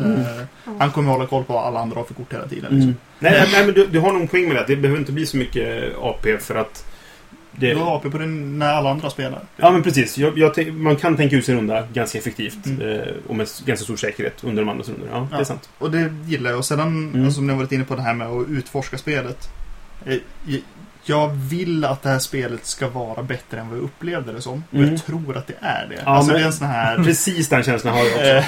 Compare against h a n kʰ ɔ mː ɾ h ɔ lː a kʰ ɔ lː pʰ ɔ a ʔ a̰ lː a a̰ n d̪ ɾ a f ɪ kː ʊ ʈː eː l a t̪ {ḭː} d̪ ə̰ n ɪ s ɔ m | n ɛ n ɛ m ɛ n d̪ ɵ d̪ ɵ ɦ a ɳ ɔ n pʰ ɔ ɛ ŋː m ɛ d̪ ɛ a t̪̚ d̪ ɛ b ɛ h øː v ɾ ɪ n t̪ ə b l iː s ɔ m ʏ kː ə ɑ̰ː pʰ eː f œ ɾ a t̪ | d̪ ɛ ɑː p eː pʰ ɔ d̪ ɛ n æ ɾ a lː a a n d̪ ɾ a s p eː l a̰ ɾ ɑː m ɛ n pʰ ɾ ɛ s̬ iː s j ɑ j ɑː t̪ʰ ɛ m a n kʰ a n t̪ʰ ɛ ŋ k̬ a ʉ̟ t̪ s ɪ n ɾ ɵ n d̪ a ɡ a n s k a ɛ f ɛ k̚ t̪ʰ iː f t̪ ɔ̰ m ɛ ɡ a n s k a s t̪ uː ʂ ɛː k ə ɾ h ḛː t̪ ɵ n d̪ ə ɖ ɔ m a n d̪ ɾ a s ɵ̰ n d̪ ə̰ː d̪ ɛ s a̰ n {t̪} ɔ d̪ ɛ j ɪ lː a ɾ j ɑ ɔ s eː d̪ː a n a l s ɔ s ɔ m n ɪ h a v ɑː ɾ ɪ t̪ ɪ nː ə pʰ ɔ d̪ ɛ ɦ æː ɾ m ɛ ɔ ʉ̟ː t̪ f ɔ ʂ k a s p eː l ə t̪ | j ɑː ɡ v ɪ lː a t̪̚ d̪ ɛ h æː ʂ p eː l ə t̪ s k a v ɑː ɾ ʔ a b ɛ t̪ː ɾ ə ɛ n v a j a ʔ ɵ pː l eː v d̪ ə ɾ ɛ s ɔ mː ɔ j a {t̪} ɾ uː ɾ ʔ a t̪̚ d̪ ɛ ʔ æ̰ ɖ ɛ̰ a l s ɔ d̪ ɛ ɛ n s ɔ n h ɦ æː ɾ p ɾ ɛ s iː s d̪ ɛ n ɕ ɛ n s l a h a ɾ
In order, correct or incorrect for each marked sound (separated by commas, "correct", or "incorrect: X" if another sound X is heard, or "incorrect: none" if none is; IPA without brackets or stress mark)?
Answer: correct, correct, incorrect: t̪ʰ